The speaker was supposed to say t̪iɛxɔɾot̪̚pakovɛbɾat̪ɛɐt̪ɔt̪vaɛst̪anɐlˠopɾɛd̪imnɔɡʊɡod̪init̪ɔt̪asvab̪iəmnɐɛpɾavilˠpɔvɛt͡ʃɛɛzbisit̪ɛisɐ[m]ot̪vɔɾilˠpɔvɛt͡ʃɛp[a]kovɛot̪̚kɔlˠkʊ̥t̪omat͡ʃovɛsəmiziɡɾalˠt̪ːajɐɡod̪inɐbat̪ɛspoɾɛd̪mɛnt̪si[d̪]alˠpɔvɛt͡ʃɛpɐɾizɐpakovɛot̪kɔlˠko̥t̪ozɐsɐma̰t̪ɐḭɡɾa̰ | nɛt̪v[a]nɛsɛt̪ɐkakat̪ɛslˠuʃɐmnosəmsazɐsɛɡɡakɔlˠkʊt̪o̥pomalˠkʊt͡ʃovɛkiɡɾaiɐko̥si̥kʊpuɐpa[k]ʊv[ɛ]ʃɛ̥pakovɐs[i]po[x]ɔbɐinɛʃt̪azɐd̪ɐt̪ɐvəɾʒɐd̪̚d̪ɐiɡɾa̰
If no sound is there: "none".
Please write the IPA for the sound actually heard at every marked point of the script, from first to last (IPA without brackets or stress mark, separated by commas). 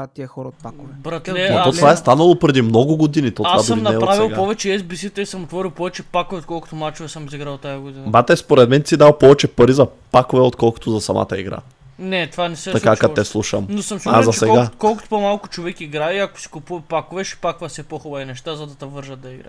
m, a, d̪, a, k, ɛ, ɛ, x